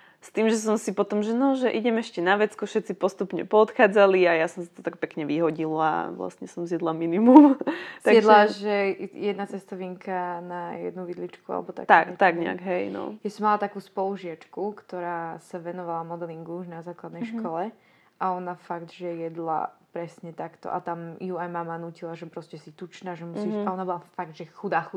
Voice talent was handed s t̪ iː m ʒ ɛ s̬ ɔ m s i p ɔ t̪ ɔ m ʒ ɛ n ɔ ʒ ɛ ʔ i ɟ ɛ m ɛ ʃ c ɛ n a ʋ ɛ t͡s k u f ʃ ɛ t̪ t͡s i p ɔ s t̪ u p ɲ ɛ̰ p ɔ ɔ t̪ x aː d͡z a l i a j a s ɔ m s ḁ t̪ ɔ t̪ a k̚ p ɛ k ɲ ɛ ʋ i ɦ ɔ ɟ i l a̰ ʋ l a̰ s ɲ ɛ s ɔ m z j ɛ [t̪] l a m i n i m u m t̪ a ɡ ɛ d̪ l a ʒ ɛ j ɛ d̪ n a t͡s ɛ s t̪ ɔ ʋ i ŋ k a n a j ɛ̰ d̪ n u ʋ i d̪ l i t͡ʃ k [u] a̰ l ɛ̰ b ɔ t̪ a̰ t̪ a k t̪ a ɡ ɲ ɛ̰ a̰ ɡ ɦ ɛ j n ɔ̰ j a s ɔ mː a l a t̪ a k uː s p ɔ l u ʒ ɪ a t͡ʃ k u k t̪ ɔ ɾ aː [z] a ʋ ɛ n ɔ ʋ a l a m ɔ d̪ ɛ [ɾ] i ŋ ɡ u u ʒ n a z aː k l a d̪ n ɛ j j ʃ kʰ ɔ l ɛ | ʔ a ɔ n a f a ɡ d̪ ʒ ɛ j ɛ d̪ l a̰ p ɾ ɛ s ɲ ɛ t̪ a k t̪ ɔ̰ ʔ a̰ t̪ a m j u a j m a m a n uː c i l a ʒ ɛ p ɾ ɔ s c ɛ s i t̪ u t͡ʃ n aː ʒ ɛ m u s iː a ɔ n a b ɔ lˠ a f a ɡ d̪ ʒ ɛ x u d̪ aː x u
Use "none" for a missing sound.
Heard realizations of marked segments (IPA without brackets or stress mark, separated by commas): d̪, u, s, l